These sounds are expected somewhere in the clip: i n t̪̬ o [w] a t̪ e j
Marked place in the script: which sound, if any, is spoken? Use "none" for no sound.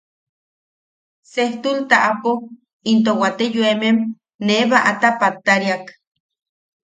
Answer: w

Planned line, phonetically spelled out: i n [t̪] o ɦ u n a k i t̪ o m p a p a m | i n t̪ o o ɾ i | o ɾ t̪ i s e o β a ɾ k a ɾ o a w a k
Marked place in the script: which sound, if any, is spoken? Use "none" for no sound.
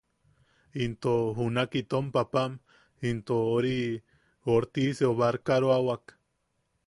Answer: t̪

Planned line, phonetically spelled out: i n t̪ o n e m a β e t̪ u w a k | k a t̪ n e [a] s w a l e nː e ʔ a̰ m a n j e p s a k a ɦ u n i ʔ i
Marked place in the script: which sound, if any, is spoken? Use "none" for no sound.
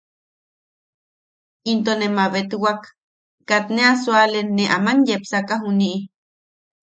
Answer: a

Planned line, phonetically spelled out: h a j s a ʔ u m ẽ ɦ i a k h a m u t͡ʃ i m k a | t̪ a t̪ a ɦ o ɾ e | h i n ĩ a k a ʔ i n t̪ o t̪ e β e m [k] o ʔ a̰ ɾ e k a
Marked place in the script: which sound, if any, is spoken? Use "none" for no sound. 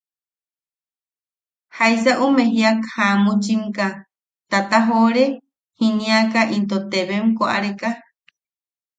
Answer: k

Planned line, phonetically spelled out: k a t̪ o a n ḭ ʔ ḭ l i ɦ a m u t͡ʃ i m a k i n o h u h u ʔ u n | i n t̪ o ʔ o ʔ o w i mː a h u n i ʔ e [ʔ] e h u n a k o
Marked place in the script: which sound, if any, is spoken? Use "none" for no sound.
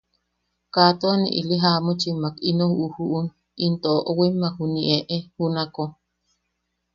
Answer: ʔ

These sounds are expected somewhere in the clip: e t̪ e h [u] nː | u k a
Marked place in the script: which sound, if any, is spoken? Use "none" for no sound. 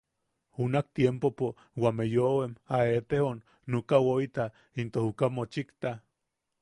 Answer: o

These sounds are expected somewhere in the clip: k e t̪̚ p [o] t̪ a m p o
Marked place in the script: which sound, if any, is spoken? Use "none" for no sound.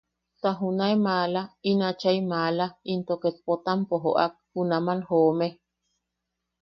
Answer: o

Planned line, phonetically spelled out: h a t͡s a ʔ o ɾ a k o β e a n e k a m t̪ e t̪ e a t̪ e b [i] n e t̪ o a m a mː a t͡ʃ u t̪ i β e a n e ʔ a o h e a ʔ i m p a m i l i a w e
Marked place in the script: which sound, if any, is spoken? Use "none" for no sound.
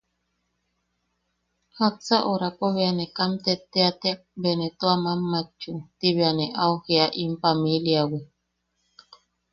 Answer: e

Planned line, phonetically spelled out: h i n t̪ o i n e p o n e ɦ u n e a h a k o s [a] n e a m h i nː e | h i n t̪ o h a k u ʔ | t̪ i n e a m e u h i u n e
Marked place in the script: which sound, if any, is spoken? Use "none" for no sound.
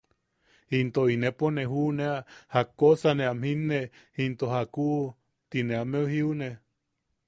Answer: a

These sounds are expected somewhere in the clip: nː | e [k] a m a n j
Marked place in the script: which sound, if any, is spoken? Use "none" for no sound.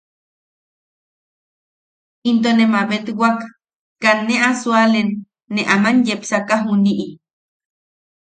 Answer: ʔ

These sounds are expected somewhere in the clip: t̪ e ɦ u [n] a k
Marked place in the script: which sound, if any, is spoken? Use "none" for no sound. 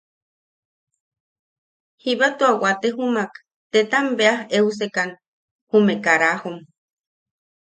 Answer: m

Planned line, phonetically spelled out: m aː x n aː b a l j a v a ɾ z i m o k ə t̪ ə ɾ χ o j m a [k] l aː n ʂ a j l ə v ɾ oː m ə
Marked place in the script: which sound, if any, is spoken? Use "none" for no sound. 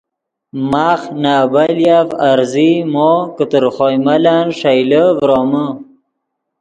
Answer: none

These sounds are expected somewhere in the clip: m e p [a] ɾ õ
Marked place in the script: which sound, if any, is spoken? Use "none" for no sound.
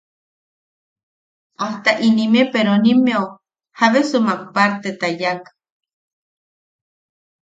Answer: e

